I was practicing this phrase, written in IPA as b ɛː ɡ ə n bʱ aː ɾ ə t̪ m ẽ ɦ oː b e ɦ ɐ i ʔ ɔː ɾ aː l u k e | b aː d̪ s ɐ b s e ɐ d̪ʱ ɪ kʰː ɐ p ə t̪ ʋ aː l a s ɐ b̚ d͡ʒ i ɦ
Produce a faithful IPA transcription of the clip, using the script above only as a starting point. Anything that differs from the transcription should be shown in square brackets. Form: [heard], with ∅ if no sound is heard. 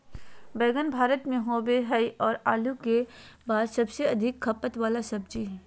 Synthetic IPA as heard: b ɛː ɡ ə n bʱ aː ɾ ə t̪ m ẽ ɦ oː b e ɦ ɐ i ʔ ɔː ɾ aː l u k e | b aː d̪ s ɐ b s e ɐ d̪ʱ ɪ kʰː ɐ p ə t̪ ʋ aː l a s ɐ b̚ d͡ʒ i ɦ